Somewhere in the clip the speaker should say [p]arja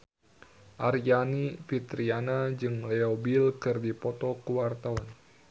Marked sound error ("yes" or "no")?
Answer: yes